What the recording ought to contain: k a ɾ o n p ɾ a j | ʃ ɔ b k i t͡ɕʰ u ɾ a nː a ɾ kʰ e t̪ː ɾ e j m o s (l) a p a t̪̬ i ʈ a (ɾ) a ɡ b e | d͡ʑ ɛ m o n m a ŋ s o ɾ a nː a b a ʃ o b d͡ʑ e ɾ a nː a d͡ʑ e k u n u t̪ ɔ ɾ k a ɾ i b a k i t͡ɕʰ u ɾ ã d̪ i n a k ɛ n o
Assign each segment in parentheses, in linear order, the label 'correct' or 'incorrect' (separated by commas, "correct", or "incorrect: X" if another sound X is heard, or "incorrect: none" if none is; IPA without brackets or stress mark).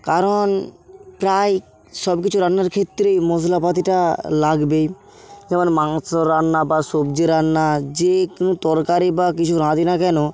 correct, incorrect: l